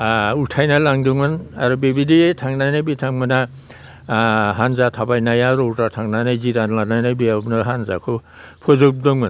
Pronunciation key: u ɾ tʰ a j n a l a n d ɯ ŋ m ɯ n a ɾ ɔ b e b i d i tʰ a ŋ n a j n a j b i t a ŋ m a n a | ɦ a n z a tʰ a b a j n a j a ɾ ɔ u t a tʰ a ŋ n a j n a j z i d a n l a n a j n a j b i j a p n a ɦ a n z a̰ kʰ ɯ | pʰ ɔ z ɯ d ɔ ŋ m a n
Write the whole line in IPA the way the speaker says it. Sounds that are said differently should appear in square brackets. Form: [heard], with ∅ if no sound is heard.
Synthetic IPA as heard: u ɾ tʰ a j n a l a [ŋ] d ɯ ŋ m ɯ n a ɾ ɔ b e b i d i tʰ a ŋ n a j n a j b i [tʰ] a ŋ m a n a | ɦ a n z a tʰ a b a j n a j a ɾ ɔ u t a tʰ a ŋ n a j n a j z i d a n l a n a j n a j b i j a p n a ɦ a n z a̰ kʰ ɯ | pʰ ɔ z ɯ d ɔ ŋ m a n